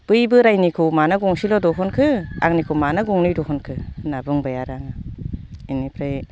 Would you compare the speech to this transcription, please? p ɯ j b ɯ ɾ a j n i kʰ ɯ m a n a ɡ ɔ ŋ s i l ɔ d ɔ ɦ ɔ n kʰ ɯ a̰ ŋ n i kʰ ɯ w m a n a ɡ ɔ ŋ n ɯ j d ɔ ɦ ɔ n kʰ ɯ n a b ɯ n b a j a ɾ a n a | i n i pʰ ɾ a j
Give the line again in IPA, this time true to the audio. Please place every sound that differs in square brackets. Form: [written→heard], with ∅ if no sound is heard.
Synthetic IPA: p ɯ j b ɯ ɾ a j n i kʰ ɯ m a n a ɡ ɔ ŋ s i l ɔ d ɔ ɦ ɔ n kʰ ɯ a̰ ŋ n i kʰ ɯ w m a n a ɡ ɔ ŋ n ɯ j d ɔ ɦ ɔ n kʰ ɯ n a b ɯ [n→ŋ] b a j a ɾ a [n→ŋ] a | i n i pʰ ɾ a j